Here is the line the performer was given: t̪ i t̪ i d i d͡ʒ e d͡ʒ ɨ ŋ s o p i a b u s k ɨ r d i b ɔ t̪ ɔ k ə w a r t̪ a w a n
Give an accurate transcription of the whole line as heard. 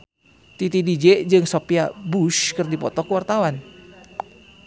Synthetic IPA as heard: t̪ i t̪ i d i d͡ʒ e d͡ʒ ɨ ŋ s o p i a b u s k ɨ r d i p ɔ t̪ ɔ k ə w a r t̪ a w a n